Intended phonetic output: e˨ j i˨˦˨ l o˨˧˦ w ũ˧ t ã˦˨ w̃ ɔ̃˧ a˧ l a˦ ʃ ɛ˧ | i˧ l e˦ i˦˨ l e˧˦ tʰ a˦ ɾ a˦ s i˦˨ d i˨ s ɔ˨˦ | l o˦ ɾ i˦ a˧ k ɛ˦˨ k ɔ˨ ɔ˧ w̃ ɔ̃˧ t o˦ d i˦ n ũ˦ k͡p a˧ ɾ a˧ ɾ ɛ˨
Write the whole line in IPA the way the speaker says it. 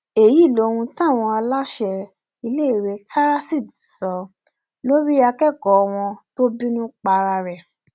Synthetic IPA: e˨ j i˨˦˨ l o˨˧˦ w ũ˧ t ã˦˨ w̃ ɔ̃˧ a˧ l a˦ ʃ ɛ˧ | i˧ l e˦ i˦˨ ɾ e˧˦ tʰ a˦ ɾ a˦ s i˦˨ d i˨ s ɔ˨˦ | l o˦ ɾ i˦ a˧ k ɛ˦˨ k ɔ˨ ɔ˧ w̃ ɔ̃˧ t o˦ b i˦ n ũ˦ k͡p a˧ ɾ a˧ ɾ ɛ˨